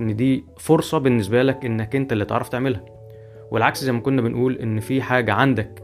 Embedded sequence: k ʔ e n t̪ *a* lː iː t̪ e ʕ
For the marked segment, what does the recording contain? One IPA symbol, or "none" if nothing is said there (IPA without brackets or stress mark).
æ